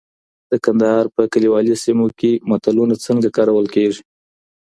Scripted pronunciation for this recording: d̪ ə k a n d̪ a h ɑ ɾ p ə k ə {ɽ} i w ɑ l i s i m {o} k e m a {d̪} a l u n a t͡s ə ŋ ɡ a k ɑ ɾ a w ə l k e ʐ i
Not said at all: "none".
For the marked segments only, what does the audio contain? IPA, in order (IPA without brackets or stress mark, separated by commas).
l, o, t̪